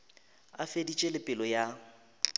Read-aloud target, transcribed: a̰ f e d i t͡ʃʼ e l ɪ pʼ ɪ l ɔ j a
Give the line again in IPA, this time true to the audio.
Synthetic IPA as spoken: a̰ f e d i t͡ʃʼ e l ɪ pʼ ɪ l ɔ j a